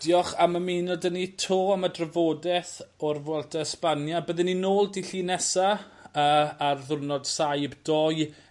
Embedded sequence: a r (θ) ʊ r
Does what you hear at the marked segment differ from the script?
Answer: yes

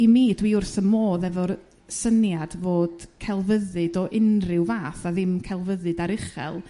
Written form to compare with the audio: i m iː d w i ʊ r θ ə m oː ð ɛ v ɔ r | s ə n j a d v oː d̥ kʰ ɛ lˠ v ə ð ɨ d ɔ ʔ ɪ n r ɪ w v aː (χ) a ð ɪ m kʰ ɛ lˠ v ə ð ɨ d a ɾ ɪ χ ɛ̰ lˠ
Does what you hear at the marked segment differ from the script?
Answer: yes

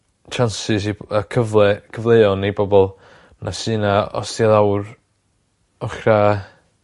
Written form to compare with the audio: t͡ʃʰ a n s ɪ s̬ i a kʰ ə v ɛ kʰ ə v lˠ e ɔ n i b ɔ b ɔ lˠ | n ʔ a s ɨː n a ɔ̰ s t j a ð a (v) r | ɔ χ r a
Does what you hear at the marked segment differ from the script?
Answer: yes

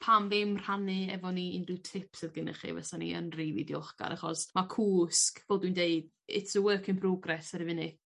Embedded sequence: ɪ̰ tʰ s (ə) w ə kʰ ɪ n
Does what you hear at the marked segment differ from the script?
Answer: no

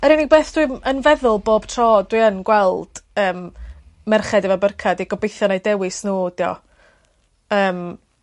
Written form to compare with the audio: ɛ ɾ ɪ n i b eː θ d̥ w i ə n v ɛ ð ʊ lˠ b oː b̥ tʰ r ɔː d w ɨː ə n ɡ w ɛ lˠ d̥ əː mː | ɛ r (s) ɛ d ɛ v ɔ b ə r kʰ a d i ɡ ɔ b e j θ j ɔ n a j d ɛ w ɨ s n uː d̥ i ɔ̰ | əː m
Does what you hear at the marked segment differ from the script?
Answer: yes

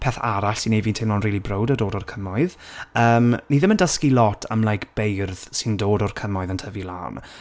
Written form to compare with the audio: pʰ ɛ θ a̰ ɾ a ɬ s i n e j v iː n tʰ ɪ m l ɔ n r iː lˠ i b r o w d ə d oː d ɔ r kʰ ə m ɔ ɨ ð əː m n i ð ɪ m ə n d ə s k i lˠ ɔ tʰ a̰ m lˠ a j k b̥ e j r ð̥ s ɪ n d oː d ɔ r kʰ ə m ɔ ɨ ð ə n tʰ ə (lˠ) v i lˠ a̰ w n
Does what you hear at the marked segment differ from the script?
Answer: yes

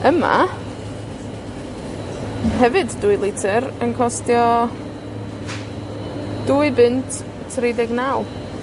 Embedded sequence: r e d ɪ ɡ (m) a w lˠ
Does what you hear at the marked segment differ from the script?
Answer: yes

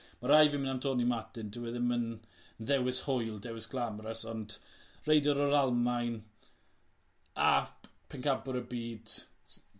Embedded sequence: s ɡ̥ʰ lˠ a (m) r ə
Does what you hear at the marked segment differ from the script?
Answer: no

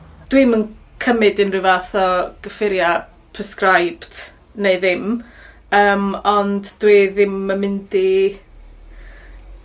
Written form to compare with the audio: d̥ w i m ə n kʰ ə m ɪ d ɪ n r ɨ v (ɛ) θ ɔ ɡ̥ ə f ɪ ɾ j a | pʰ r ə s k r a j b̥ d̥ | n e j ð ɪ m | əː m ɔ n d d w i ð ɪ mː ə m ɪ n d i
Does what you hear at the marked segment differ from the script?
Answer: yes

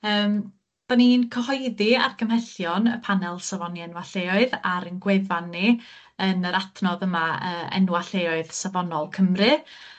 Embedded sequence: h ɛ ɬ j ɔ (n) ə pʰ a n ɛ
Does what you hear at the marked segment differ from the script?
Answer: no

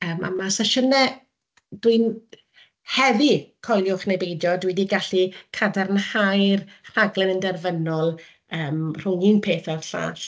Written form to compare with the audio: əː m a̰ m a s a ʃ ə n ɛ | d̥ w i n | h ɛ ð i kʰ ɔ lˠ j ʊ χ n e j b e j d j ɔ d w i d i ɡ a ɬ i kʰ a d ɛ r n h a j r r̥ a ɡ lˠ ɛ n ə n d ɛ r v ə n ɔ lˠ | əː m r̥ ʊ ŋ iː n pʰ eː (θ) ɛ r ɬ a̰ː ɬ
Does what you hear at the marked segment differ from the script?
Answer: no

